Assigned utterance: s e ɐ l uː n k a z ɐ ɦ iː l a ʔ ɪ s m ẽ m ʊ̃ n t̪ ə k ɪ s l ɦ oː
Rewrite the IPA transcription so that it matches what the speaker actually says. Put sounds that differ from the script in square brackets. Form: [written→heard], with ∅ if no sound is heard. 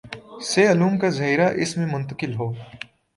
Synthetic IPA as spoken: s e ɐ l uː [n→m] k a z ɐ ɦ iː [l→ɾ] a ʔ ɪ s m ẽ m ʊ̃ n t̪ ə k ɪ [s→∅] l ɦ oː